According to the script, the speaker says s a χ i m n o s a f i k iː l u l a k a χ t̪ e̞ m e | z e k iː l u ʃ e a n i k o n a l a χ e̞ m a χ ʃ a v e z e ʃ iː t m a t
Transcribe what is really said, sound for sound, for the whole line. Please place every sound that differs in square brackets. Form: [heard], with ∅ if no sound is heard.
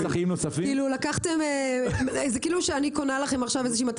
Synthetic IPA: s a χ i m n o s a f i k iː l u l a k a χ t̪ e̞ m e | z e k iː l u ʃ e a n i k o n a l a χ e̞ m a χ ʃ a v e z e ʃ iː [∅] m a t